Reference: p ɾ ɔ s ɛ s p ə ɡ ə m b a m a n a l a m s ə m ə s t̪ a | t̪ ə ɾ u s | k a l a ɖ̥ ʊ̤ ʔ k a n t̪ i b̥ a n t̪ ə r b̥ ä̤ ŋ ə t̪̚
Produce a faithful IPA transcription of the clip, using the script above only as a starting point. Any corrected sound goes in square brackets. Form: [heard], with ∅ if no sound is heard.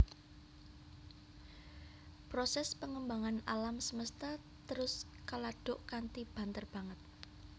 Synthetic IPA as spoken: p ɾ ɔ s ɛ s p ə [ŋ] ə m b a [ŋ] a n a l a m s ə m ə s t̪ a | t̪ ə ɾ [ʊ] s | k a l a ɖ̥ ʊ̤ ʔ k a n t̪ i b̥ a n t̪ ə r b̥ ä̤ ŋ ə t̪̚